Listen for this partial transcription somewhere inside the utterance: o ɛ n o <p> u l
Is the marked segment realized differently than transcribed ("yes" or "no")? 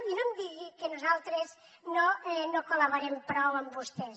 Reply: yes